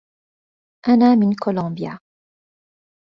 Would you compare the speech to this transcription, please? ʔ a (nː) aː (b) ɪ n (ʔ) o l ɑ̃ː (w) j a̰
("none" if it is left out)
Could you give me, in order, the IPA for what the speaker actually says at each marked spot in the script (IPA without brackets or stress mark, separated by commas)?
n, m, k, b